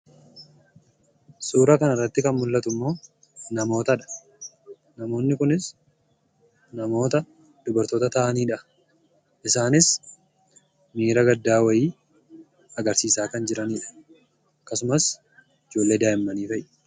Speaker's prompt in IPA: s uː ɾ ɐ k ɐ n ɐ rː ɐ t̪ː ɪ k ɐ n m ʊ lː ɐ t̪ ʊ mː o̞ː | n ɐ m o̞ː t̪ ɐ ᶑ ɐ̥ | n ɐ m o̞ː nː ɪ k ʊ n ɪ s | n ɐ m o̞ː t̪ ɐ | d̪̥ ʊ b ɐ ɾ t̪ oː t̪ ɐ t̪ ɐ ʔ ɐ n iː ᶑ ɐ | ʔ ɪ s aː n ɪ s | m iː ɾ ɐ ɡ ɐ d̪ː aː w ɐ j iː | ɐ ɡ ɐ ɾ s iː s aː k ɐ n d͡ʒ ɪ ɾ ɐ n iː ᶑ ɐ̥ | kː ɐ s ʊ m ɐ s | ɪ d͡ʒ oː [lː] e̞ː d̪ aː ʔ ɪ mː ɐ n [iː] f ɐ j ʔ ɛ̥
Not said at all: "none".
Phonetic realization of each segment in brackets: lː, iː

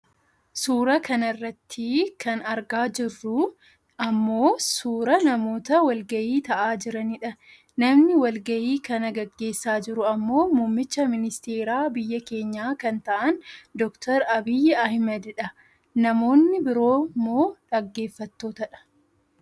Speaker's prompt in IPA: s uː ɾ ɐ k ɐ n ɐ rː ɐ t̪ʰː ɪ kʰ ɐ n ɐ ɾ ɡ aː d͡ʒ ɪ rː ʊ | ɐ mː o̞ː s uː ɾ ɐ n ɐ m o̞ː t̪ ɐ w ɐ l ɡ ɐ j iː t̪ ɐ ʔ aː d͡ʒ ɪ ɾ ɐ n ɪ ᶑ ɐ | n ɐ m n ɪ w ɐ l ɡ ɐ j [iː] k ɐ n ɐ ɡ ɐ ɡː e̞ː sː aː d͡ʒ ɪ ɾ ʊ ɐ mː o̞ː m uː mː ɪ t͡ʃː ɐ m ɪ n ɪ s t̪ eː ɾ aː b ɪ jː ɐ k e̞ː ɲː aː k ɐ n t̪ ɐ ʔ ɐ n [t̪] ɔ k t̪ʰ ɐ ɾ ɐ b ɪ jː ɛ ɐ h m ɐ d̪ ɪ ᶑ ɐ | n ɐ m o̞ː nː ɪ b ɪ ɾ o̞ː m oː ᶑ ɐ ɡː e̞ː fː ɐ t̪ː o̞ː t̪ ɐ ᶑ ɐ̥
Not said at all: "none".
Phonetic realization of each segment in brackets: iː, d̪

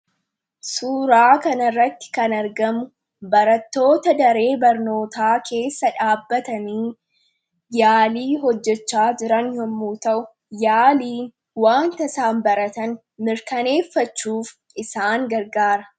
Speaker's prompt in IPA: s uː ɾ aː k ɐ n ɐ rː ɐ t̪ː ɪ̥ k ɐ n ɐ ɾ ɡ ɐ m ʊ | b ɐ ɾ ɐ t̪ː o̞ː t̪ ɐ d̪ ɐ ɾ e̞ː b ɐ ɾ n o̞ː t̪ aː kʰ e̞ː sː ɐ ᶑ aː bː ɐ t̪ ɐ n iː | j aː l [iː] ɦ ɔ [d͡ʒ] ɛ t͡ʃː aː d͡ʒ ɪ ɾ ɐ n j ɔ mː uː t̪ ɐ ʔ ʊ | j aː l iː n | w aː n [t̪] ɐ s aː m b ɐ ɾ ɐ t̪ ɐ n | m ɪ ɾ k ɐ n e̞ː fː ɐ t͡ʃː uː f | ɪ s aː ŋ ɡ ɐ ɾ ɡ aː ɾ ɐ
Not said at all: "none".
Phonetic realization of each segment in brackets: iː, d͡ʒː, t̪

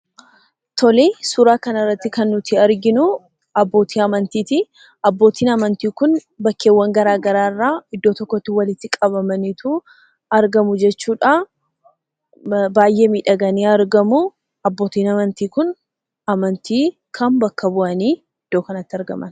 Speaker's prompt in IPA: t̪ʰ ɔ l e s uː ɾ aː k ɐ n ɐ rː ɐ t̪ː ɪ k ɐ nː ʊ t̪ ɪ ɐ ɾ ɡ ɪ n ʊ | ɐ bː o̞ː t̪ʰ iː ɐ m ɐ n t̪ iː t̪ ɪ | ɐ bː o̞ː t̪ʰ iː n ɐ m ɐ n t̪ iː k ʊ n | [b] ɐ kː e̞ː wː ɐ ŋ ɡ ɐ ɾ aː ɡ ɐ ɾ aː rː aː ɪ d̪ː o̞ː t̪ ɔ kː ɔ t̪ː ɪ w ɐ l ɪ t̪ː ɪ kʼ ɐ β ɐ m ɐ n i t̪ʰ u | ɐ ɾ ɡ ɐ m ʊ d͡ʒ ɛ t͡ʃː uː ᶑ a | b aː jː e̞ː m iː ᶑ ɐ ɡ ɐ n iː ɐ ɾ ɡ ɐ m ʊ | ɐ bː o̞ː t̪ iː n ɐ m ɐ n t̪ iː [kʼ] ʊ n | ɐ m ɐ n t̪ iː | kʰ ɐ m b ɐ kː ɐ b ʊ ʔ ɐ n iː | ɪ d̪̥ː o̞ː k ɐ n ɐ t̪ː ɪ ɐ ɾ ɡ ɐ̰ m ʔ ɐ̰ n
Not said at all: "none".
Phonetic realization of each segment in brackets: b, k

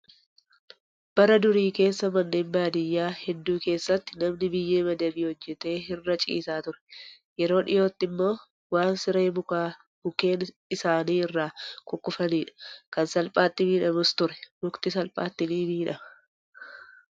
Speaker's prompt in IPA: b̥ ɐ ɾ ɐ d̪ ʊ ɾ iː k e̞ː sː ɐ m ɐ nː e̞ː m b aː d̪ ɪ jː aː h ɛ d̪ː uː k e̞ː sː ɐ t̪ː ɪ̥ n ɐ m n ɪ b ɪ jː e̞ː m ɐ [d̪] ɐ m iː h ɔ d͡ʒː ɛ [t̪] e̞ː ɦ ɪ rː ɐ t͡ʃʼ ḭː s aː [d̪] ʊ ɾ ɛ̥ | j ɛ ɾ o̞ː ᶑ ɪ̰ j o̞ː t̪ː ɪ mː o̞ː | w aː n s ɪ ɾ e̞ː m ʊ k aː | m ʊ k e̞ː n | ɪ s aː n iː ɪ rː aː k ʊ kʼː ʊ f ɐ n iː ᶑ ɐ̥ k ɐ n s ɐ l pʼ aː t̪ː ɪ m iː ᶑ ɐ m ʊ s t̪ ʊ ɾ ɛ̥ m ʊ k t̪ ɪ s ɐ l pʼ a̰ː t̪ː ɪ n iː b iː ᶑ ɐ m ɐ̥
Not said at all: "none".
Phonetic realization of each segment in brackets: d̪, t̪, t̪

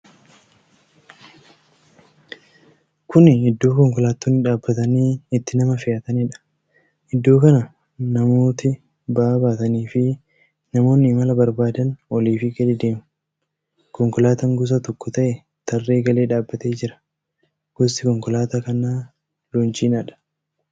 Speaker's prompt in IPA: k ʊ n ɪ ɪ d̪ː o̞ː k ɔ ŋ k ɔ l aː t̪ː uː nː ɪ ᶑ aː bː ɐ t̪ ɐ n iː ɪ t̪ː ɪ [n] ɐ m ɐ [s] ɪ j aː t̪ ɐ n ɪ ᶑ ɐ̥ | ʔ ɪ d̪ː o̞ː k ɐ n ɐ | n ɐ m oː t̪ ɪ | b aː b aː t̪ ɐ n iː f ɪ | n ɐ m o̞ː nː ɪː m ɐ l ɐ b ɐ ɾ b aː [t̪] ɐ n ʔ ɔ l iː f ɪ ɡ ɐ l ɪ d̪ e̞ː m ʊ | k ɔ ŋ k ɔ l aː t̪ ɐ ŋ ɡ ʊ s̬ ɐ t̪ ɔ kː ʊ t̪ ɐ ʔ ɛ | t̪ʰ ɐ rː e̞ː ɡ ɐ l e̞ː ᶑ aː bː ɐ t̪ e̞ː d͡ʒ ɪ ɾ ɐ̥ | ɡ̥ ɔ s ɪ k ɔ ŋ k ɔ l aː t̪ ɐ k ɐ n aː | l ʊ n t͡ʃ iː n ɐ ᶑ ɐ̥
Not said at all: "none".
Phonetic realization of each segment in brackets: n, f, d̪

